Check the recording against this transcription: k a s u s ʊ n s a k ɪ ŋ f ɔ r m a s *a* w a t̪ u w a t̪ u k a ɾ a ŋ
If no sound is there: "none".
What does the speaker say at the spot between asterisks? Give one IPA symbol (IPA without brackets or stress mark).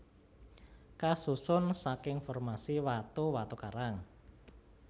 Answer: i